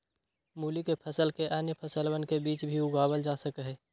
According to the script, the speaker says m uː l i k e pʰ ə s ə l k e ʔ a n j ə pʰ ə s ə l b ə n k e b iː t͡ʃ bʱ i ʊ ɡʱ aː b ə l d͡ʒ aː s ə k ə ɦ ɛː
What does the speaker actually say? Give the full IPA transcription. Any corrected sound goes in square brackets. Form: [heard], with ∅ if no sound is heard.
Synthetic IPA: m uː l i k e pʰ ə s ə l k e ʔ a n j ə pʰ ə s ə l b ə n k e b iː t͡ʃ bʱ i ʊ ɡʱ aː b ə l d͡ʒ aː s ə k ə ɦ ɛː